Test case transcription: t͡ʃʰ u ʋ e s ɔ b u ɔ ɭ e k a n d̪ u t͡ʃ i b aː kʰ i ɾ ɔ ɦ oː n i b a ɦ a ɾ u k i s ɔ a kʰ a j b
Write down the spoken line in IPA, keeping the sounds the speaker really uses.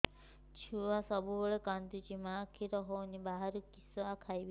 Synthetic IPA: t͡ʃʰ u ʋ a s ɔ b u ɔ ɭ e k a n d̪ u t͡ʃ i m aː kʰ i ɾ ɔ ɦ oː n i b a ɦ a ɾ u k i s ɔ a kʰ a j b